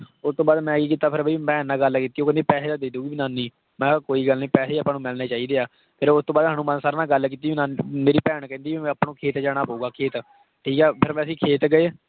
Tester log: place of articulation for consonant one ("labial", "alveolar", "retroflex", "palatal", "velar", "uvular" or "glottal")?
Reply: alveolar